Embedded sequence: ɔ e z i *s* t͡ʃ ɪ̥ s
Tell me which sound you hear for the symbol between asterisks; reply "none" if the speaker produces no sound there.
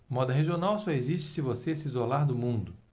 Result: ʃ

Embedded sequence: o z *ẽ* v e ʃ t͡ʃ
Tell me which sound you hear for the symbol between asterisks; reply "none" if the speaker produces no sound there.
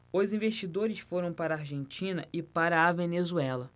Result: ĩ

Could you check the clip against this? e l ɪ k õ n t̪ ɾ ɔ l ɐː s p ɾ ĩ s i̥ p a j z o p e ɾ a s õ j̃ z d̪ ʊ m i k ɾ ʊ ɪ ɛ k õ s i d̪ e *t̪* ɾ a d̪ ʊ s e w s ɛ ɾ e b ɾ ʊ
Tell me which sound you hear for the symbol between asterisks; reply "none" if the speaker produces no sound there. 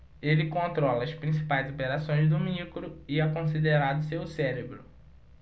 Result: none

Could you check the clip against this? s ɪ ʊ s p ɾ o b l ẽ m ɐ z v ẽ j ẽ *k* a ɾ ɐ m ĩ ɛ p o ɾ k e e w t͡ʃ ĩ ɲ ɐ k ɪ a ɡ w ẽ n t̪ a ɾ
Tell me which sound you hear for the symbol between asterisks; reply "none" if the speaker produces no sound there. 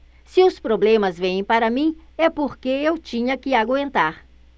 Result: p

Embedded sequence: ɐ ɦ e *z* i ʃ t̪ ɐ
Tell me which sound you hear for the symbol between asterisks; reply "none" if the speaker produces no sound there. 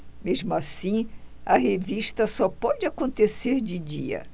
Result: v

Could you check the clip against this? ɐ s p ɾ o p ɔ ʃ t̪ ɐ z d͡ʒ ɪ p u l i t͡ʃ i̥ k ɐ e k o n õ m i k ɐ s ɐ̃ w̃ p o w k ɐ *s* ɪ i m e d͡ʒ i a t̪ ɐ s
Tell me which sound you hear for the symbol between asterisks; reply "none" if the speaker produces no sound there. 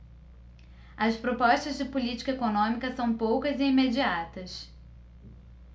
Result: z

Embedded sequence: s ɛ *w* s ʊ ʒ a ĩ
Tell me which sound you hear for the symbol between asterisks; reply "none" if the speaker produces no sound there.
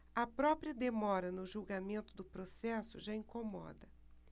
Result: none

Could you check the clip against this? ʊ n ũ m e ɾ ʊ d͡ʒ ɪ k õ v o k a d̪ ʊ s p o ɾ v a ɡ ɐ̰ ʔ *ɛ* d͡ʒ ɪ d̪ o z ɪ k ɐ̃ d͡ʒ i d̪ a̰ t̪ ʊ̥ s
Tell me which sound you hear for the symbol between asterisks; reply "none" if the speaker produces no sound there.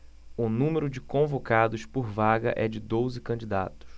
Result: ɛ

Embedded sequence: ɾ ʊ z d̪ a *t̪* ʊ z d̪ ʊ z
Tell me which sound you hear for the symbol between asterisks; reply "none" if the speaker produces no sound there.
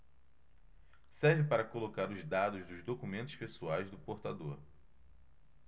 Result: d̪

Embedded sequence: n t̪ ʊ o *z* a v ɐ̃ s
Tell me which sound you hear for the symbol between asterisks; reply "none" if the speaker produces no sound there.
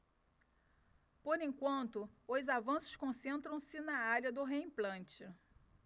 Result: z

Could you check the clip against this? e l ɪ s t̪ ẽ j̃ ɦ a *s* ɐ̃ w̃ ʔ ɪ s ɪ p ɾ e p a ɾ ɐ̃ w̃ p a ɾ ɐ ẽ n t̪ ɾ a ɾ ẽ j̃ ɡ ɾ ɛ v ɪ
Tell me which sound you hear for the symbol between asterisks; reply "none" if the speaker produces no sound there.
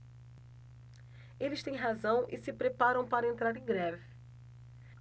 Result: z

